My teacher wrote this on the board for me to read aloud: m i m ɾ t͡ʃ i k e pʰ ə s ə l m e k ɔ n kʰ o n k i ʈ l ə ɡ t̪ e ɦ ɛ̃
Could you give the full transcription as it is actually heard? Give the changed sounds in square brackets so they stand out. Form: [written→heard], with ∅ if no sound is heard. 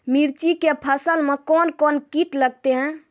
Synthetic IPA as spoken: m i [m→∅] ɾ t͡ʃ i k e pʰ ə s ə l m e k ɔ n [kʰ→k] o n k i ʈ l ə ɡ t̪ e ɦ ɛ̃